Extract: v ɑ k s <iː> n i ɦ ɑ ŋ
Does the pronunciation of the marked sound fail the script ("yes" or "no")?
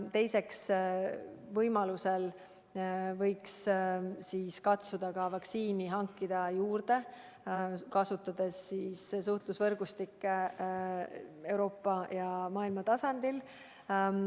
no